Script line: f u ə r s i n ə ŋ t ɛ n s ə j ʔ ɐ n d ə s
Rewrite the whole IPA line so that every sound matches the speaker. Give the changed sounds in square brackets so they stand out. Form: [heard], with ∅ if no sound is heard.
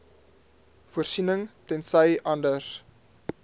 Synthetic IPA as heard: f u ə r s i n ə ŋ t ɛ n s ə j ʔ ɐ n d ə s